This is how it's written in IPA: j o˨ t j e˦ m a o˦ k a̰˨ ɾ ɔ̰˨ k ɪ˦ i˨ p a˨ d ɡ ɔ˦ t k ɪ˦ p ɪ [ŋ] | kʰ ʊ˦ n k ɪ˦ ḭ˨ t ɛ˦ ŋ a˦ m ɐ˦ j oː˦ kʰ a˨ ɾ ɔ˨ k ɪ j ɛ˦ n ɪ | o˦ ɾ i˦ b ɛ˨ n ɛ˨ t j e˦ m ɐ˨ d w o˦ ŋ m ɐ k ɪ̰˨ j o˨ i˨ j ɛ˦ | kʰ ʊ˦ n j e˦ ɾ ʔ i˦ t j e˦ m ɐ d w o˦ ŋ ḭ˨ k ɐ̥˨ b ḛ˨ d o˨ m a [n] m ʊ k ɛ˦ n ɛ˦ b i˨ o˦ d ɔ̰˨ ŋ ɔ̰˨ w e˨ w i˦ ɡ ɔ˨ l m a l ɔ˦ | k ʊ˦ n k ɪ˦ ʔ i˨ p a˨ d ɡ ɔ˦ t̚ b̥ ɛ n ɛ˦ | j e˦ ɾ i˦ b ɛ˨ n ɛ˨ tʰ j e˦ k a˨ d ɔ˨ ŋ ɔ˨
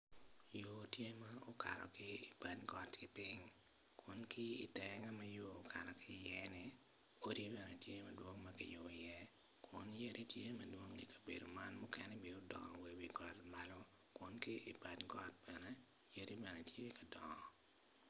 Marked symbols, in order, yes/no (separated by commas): yes, yes